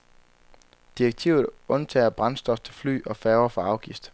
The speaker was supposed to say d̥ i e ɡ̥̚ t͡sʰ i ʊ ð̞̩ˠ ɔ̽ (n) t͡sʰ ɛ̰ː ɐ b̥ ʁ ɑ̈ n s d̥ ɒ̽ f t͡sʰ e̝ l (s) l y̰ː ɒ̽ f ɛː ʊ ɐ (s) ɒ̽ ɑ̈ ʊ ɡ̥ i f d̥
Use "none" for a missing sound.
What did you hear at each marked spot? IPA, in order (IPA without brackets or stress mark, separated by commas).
n, f, f